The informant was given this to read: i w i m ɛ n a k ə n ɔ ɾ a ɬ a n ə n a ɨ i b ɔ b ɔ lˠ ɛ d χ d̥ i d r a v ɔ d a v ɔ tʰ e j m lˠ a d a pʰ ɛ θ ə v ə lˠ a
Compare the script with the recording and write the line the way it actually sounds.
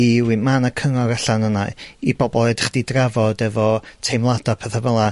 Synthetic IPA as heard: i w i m a n a kʰ ə ŋ ɔ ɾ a ɬ a n ə n a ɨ i b ɔ b ɔ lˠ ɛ d χ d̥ i d r a v ɔ d ɛ v ɔ tʰ e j m lˠ a d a pʰ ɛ θ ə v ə lˠ a